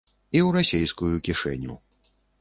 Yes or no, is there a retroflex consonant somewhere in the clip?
yes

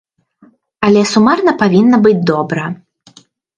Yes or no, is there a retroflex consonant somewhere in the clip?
no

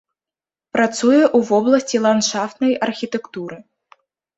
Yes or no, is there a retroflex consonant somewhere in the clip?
yes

